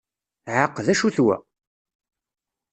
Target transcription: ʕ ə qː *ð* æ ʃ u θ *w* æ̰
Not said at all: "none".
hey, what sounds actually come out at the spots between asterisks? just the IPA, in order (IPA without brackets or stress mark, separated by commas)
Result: ð, w